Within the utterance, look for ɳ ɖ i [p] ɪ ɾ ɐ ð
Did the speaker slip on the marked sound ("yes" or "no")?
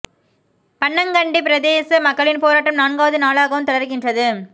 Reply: no